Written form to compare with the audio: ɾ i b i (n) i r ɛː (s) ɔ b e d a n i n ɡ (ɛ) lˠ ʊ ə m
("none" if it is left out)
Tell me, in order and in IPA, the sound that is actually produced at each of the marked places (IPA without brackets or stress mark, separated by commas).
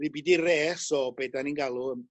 d, s, a